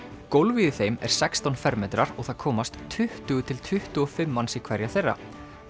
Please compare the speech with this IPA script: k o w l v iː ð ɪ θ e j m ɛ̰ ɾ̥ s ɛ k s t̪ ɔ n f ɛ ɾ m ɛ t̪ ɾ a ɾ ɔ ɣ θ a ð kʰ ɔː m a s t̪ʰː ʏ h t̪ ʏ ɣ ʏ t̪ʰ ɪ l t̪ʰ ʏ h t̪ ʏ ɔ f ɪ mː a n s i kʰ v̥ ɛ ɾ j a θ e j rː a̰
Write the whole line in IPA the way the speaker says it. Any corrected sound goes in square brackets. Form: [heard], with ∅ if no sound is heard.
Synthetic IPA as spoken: k o w l v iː ð ɪ θ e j m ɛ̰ ɾ̥ s ɛ k s t̪ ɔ n f ɛ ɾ m ɛ t̪ ɾ a ɾ ɔ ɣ θ a ð kʰ ɔː m a s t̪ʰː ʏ h t̪ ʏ ɣ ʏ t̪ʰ ɪ l t̪ʰ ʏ h t̪ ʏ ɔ f ɪ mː a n s i kʰ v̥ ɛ ɾ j a θ e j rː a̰